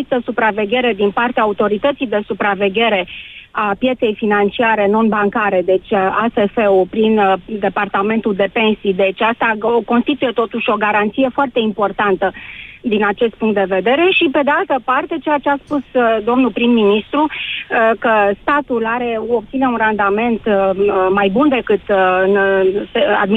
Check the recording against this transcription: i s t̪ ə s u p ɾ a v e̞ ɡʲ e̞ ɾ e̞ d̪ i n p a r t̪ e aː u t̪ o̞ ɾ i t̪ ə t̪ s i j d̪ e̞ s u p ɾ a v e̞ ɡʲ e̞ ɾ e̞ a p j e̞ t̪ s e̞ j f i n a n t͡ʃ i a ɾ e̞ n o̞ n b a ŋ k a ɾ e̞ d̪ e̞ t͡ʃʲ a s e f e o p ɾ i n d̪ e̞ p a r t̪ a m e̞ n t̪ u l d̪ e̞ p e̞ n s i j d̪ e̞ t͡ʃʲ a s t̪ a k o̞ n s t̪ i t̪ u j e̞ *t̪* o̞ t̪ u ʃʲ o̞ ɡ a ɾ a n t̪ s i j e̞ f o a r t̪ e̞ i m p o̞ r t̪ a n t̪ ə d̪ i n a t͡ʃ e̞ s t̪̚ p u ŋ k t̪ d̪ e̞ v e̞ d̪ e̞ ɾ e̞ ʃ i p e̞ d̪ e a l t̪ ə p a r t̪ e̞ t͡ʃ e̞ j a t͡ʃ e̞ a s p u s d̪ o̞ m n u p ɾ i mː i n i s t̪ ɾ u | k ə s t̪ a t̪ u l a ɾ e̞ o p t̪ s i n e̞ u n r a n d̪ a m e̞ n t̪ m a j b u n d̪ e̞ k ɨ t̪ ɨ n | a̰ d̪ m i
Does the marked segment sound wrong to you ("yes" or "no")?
no